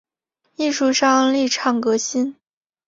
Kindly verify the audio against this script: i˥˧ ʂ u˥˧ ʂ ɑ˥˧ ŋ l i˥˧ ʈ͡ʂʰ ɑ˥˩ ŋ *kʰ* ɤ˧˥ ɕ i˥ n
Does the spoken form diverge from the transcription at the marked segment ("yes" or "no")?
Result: yes